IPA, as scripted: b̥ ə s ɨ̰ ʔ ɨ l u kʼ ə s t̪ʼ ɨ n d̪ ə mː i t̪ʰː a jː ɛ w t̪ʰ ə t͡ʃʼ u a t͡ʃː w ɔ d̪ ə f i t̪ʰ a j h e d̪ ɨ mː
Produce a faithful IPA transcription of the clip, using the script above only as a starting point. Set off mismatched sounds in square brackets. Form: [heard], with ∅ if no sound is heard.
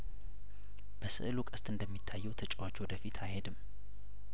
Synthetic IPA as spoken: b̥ ə s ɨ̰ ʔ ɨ l u kʼ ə s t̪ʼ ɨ n d̪ ə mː i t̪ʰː a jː ɛ w t̪ʰ ə t͡ʃʼ [w] a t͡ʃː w ɔ d̪ ə f i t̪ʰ a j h e d̪ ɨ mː

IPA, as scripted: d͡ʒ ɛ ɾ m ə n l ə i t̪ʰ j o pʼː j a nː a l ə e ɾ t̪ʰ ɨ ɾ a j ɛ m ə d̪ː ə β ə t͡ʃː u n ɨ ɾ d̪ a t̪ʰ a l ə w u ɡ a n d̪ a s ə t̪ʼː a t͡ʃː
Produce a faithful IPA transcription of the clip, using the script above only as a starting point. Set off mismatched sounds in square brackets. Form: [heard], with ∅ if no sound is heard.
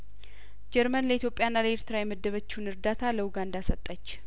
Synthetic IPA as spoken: d͡ʒ ɛ ɾ m ə n l ə i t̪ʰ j o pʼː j a nː a l ə e ɾ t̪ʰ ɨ ɾ a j ɛ m ə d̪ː ə β ə t͡ʃː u n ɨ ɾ d̪ a t̪ʰ a l ə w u ɡ a n d̪ a s ə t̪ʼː [ə] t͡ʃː

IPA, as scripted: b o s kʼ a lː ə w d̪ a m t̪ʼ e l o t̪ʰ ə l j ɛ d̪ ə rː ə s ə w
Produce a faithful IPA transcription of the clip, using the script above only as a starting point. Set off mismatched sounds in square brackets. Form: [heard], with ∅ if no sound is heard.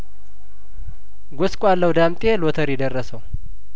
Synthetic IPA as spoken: [ɡ] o s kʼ a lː ə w d̪ a m t̪ʼ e l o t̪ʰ ə [ɾ] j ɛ d̪ ə rː ə s ə w

